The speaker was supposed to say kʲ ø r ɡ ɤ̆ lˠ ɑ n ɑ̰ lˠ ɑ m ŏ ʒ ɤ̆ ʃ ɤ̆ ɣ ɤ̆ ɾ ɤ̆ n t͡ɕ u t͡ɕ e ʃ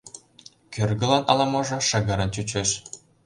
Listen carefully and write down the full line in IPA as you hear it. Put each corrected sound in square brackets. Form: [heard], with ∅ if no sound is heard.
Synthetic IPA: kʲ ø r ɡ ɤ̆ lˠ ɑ n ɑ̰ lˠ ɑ m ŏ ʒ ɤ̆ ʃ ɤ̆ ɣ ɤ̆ ɾ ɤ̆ n t͡ɕ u t͡ɕ e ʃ